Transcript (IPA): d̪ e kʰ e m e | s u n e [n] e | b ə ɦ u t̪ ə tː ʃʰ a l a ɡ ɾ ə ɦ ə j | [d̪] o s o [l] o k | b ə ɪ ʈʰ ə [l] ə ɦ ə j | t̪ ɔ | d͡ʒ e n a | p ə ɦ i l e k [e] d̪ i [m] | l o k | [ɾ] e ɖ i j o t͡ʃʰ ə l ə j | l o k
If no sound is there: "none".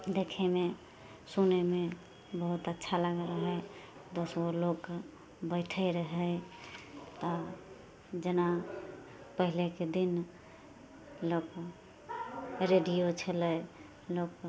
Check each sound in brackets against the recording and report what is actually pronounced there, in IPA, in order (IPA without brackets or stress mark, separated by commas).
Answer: m, d̪, l, ɾ, e, n, ɾ